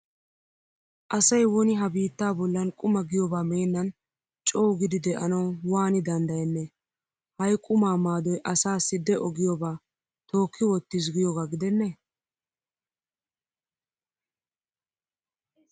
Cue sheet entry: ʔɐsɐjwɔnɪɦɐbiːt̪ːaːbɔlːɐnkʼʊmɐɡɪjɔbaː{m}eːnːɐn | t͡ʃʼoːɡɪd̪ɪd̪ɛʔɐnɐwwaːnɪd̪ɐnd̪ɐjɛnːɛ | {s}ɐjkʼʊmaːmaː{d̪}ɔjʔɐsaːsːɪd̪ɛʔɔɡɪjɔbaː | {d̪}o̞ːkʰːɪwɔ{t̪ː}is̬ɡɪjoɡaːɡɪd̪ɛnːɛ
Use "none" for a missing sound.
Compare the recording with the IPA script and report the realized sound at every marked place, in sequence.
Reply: m, h, d̪, t̪, t̪ː

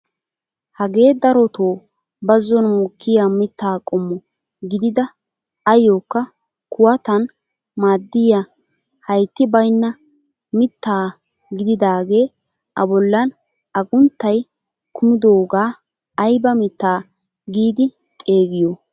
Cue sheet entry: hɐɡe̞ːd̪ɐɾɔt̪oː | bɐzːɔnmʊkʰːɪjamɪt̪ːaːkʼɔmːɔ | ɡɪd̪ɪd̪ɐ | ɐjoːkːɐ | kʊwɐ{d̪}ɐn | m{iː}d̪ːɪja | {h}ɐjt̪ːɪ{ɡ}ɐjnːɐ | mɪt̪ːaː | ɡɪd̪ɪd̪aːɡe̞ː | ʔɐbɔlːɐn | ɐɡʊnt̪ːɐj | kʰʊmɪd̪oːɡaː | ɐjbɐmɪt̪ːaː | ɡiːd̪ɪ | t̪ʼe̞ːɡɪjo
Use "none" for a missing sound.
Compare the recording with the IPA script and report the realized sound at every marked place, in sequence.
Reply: t̪, aː, h, b

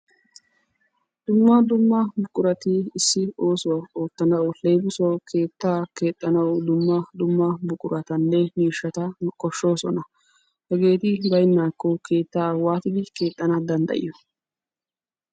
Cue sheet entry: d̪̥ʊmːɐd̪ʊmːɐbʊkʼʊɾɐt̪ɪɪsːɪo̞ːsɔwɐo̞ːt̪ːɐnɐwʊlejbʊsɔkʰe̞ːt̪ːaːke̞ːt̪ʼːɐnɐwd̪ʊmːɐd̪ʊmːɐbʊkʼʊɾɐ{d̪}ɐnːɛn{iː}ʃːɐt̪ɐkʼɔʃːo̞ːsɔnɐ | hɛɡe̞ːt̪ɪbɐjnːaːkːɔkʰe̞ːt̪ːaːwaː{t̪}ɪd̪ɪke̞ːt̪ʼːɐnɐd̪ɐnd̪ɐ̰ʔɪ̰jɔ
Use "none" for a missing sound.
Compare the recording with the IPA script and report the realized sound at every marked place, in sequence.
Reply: t̪, iː, t̪

